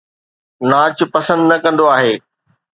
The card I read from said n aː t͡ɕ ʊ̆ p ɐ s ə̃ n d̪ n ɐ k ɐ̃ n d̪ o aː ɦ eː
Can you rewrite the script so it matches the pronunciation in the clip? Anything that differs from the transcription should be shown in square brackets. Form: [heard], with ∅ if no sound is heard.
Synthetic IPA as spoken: n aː t͡ɕ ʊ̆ p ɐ s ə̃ n d̪ n ɐ k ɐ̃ n d̪ o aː ɦ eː